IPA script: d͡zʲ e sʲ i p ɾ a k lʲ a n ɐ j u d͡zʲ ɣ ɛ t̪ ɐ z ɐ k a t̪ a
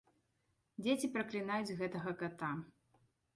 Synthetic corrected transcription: d͡zʲ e t͡sʲ i p ɾ ɐ k lʲ i n a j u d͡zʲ ɣ ɛ t̪ ɐ ɣ ɐ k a t̪ a